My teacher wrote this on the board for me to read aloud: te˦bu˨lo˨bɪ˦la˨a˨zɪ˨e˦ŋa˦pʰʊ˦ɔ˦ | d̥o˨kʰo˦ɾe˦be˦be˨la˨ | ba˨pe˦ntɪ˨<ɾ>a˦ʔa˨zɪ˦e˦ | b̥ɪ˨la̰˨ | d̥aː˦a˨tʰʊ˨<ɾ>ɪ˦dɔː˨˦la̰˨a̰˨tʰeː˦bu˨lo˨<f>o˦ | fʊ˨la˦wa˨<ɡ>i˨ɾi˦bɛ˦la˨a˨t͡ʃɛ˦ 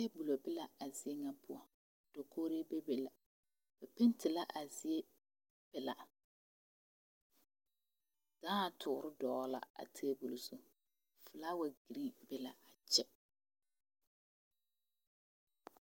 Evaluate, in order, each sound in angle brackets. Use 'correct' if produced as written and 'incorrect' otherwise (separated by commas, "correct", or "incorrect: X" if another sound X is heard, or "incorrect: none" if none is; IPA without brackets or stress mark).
incorrect: l, correct, incorrect: s, correct